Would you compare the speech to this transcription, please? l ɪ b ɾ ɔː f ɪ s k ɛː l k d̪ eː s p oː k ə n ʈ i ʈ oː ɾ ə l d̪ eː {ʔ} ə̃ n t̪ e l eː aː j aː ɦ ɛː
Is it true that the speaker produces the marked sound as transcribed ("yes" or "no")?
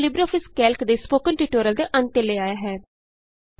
yes